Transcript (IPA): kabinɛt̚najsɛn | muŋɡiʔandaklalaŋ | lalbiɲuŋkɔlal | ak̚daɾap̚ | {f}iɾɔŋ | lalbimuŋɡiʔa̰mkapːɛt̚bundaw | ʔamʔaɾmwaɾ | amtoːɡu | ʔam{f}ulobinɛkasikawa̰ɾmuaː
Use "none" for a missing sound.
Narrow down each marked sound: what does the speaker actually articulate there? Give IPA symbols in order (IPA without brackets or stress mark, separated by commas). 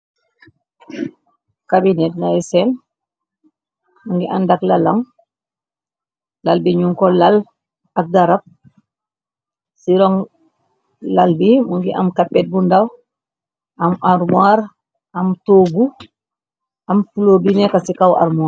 s, f